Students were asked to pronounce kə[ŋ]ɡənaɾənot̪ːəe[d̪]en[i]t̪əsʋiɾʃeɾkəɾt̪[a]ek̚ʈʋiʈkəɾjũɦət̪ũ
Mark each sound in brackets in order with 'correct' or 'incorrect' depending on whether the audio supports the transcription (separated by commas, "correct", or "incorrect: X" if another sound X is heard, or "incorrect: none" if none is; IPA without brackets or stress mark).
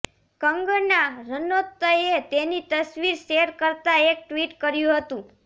correct, incorrect: t̪, correct, correct